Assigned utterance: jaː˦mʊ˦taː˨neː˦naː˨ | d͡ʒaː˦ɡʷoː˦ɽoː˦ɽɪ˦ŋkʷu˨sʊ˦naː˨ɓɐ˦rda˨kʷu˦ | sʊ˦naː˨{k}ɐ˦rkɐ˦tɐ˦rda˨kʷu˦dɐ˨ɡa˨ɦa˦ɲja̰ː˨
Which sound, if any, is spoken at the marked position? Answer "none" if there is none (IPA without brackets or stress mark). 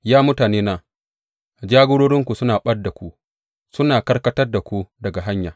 k